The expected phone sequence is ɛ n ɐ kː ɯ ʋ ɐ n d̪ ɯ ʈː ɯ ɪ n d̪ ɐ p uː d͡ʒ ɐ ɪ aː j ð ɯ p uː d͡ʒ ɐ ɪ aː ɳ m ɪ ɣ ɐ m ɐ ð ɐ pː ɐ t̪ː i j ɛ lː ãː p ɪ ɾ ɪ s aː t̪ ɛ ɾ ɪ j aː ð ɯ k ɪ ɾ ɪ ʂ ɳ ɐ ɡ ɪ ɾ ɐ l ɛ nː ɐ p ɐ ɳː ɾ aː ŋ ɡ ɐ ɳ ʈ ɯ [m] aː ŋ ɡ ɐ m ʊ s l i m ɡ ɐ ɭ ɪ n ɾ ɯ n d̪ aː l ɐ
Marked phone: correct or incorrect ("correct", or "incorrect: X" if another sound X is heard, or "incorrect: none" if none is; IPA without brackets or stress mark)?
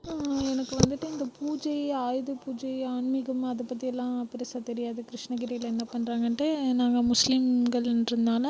incorrect: n